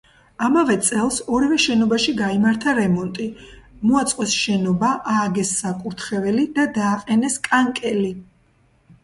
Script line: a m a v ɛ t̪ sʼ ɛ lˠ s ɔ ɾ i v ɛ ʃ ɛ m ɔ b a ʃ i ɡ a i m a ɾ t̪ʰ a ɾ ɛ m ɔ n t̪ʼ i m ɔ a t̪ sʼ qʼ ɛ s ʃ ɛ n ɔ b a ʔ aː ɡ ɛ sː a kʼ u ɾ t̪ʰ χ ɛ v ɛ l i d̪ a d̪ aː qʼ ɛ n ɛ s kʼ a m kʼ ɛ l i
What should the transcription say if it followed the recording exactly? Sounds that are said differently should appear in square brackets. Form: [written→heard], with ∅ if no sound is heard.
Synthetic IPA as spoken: a m a v ɛ t̪ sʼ ɛ lˠ s ɔ ɾ i v ɛ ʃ ɛ [m→n] ɔ b a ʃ i ɡ a i m a ɾ t̪ʰ a ɾ ɛ m ɔ n t̪ʼ i m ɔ a t̪ sʼ qʼ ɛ s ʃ ɛ n ɔ b a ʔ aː ɡ ɛ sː a kʼ u ɾ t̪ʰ χ ɛ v ɛ l i d̪ a d̪ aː qʼ ɛ n ɛ s kʼ a [m→ŋ] kʼ ɛ l i